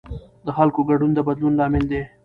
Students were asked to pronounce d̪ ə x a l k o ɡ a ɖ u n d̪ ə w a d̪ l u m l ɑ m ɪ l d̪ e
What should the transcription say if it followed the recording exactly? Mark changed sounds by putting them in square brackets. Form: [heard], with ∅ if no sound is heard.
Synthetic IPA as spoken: d̪ ə x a l k o ɡ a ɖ u n d̪ ə [b] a d̪ l u [n] l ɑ m ɪ l d̪ e